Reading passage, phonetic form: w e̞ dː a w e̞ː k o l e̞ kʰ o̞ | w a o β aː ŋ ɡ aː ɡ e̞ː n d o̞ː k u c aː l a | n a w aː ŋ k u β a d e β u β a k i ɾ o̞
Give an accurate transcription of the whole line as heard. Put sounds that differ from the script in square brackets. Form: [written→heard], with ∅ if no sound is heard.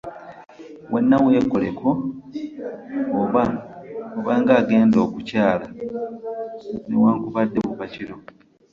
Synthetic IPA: w e̞ [dː→nː] a w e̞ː k o l e̞ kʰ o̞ | [w→β] a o β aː ŋ ɡ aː ɡ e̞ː n d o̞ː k u c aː l a | n [a→e] w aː ŋ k u β a [d→dː] e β u β a [k→c] i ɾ o̞